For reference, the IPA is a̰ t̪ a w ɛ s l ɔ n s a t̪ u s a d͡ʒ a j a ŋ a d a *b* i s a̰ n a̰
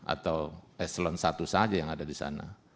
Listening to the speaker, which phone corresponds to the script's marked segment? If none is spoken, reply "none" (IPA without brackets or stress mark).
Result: d